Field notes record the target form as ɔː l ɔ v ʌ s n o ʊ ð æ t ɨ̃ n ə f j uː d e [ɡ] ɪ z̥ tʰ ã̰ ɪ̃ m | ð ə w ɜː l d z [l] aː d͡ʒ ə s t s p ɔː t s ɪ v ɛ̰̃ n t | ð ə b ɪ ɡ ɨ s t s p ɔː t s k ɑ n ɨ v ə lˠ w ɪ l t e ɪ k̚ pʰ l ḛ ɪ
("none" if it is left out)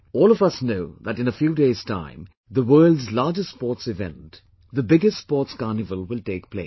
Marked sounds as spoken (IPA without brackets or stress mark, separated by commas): none, l